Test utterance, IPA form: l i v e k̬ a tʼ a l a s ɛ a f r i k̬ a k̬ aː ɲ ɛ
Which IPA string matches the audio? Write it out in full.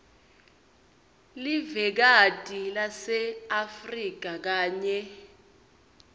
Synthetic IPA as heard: l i v ɛ k̬ a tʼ i l a s ɛ a f r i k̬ a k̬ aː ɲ ɛ

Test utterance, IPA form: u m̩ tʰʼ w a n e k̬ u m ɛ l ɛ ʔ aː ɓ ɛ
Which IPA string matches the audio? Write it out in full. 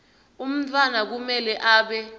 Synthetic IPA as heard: u m̩ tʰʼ w a n a k̬ u m ɛ l ɛ ʔ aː ɓ ɛ

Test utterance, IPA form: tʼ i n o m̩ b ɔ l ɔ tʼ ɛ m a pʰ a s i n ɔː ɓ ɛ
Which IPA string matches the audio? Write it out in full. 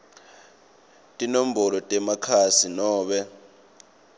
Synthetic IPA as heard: tʼ i n o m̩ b ɔ l ɔ tʼ ɛ m a kʰ a s i n ɔː ɓ ɛ

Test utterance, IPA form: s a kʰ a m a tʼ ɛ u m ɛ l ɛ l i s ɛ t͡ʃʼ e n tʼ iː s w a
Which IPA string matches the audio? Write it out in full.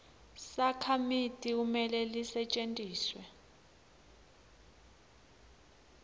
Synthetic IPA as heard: s a kʰ a m i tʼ i u m ɛ l ɛ l i s ɛ t͡ʃʼ e n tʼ iː s w ɛ

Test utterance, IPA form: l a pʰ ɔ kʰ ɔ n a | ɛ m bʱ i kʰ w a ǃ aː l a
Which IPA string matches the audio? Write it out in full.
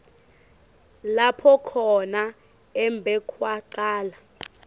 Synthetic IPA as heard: l a pʰ ɔ kʰ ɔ n a | ɛ m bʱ ɛ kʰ w a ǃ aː l a

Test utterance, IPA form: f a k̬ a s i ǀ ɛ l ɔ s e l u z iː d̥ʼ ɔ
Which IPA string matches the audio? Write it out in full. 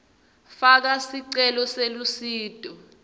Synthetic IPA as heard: f a k̬ a s i ǀ ɛ l ɔ s e l u s iː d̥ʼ ɔ

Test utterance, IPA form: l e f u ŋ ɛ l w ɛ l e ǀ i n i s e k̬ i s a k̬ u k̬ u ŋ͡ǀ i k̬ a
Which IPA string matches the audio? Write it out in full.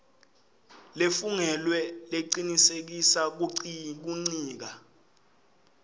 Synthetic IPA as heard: l e f u ŋ ɛ l w ɛ l e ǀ i n i s e k̬ i s a k̬ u k̬ u ŋ͡ǀ iː k̬ a

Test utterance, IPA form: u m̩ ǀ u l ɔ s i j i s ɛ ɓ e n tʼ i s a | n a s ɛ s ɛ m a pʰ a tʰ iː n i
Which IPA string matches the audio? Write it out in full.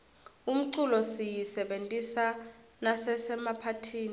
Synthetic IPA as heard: u m̩ ǀ u l ɔ s i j i s ɛ ɓ e n tʼ i s a | n a s ɛ s ɛ m a pʰ a tʰ iː n i

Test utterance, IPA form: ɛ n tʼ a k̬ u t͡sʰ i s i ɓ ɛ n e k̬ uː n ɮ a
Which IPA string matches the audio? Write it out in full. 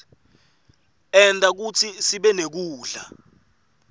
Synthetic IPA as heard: ɛ n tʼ a k̬ u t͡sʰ i s i ɓ ɛ n e k̬ uː ɮ a

